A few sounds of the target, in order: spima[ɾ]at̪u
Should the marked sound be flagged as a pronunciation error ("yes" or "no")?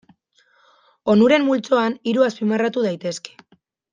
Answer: yes